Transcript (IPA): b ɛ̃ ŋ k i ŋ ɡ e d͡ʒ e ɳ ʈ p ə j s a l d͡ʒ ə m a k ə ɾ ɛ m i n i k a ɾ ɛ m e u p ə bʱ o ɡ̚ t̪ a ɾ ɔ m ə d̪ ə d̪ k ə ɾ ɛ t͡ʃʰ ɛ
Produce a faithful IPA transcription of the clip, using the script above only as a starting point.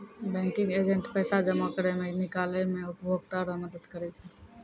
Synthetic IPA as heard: b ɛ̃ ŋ k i ŋ ɡ e d͡ʒ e ɳ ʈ p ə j s a d͡ʒ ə m a k ə ɾ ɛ m e n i k a l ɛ m e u p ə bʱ o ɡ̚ t̪ a ɾ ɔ m ə d̪ ə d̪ k ə ɾ ɛ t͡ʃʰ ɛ